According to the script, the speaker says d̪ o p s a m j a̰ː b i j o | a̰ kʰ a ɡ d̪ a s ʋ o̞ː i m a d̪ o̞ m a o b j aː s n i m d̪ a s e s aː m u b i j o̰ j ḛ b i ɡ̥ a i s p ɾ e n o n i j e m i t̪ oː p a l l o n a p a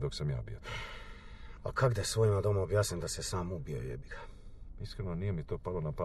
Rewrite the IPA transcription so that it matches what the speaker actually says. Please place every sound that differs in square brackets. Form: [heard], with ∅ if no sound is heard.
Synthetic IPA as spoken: d̪ o [k] s a m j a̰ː b i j o | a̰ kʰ a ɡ d̪ a s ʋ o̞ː i m a d̪ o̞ m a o b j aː s n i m d̪ a s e s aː m u b i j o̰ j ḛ b i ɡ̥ a i s [k] ɾ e n o n i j e m i t̪ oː p a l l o n a p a